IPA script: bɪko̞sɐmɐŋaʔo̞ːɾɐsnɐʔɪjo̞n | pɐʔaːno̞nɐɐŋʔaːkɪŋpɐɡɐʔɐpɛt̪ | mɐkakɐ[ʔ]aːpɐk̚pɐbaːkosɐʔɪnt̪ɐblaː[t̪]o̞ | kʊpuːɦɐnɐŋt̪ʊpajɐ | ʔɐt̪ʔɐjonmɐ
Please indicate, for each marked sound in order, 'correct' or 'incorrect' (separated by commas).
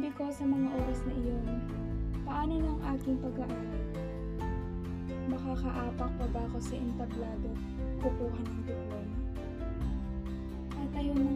correct, incorrect